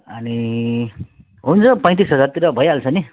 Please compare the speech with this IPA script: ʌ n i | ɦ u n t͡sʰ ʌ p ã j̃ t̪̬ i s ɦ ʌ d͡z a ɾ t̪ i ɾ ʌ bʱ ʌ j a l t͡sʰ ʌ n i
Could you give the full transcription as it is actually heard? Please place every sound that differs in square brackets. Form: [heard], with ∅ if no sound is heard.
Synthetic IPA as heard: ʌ n i | ɦ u n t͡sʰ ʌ p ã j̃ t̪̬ i s ɦ ʌ d͡z a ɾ t̪ i ɾ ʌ bʱ ʌ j a l t͡sʰ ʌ n i

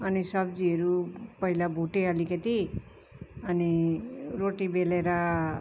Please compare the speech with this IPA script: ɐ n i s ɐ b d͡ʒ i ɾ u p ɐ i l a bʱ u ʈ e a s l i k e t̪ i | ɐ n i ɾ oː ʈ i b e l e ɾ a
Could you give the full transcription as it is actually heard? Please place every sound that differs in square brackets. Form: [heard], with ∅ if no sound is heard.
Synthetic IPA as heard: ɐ n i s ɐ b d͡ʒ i ɾ u p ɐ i l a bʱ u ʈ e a [∅] l i k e t̪ i | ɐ n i ɾ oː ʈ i b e l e ɾ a

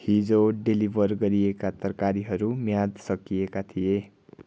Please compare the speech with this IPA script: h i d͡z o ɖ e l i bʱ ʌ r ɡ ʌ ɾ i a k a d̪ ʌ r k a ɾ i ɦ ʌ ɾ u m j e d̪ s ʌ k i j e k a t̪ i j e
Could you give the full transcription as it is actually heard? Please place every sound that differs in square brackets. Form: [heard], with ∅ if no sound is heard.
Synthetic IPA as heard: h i d͡z o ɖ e l i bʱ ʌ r ɡ ʌ ɾ i [e] k a [t̪] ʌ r k a ɾ i ɦ ʌ ɾ u m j [a] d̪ s ʌ k i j e k a [t̪ʰ] i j e

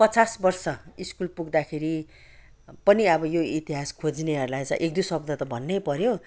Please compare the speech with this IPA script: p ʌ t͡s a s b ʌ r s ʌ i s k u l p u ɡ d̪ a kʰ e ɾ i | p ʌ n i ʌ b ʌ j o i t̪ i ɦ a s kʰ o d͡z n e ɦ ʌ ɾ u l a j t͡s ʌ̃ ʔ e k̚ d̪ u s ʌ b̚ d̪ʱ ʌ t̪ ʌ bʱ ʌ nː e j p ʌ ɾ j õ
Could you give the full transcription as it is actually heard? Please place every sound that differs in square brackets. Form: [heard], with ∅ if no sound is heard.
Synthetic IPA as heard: p ʌ t͡s a s b ʌ r s ʌ i s k u l p u ɡ d̪ a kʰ e ɾ i | p ʌ n i ʌ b ʌ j o i t̪ i ɦ a s kʰ o d͡z n e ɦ ʌ ɾ u l a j t͡s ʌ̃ ʔ e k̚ d̪ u s ʌ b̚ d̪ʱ ʌ t̪ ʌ bʱ ʌ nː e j p ʌ ɾ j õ

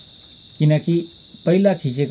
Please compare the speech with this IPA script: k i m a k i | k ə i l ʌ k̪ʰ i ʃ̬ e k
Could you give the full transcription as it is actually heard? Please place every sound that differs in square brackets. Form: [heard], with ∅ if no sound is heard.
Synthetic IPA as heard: k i [n] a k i | [p] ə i l [a] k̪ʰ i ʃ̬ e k

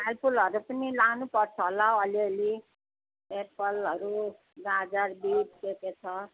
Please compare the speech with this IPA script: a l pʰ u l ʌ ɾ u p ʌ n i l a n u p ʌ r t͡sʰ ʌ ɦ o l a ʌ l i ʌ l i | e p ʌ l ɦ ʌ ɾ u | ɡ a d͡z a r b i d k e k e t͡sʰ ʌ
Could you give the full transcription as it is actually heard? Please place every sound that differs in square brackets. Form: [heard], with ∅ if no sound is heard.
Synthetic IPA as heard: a l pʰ u l ʌ ɾ u p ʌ n i l a n u p ʌ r t͡sʰ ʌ ɦ o l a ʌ l i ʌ l i | e p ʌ l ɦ ʌ ɾ u | ɡ a d͡z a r b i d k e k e t͡sʰ ʌ

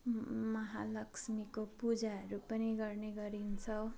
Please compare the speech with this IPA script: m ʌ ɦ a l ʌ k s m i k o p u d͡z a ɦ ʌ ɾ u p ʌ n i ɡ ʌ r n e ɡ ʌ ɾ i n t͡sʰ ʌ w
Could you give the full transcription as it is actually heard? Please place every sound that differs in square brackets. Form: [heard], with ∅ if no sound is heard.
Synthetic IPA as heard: m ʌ ɦ a l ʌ k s m i k o p u d͡z a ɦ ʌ ɾ u p ʌ n i ɡ ʌ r n e ɡ ʌ ɾ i n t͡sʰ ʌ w

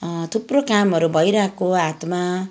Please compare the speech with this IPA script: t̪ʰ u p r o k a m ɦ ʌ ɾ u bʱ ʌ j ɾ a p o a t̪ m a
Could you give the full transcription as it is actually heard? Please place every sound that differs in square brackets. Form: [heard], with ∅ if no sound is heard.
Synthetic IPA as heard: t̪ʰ u p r o k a m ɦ ʌ ɾ u bʱ ʌ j ɾ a [k] o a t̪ m a

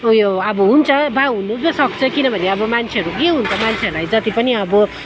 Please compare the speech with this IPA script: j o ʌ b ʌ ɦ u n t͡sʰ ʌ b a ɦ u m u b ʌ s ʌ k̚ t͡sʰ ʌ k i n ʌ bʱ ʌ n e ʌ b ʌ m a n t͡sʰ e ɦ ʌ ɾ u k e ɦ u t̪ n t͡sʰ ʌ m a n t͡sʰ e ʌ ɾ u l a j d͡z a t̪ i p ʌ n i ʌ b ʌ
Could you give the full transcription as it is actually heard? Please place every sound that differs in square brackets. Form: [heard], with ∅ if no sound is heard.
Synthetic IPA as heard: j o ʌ b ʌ ɦ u n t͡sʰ ʌ b a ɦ u [n] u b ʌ s ʌ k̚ t͡sʰ ʌ k i n ʌ bʱ ʌ n e ʌ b ʌ m a n t͡sʰ e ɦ ʌ ɾ u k e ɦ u [∅] n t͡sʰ ʌ m a n t͡sʰ e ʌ ɾ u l a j d͡z [ʌ] t̪ i p ʌ n i ʌ b ʌ

